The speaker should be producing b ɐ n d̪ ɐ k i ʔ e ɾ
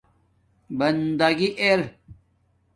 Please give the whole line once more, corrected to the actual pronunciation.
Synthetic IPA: b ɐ n d̪ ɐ ɡ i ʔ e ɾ